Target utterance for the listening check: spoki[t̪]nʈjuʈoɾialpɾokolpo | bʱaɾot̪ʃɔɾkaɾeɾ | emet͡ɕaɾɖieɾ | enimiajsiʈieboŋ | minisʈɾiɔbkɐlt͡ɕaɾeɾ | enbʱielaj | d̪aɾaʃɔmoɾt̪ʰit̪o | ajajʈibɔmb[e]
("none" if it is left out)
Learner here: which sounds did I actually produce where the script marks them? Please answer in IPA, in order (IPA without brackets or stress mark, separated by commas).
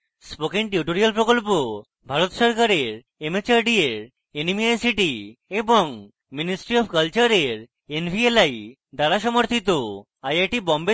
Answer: none, e